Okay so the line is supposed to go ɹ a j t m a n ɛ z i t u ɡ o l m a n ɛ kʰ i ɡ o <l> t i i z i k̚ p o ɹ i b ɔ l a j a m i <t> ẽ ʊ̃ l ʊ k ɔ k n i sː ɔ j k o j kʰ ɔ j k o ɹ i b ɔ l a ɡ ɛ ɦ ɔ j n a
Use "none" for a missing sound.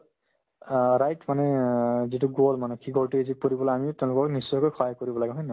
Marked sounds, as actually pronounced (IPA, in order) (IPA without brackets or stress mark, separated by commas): l, t